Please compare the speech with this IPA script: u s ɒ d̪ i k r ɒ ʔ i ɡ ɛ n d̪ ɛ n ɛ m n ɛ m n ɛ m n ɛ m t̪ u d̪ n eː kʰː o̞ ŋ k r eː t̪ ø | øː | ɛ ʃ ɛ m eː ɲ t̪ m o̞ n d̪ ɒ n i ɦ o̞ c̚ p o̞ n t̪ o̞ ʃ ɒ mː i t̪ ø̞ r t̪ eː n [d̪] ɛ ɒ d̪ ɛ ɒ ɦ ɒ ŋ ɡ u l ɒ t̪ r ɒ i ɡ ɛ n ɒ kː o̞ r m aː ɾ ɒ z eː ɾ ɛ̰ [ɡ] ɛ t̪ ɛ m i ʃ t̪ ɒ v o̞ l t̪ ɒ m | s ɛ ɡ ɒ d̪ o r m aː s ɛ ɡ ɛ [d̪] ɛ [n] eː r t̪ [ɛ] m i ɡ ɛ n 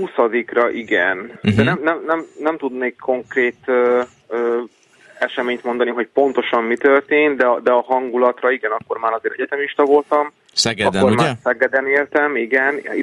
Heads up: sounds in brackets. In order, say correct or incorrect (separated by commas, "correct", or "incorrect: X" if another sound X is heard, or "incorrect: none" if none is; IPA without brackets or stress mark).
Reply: correct, incorrect: ɟ, correct, correct, correct